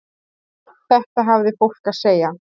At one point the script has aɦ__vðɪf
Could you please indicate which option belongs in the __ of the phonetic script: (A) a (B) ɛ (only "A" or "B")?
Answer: A